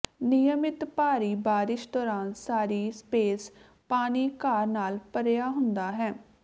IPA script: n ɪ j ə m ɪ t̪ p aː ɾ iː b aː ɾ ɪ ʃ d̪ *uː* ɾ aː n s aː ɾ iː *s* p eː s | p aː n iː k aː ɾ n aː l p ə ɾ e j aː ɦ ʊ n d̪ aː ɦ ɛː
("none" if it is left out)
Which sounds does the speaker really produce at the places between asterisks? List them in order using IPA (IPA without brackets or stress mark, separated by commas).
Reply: ɔː, s